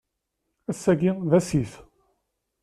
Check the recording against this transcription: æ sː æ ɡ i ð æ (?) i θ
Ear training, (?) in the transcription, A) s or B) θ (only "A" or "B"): A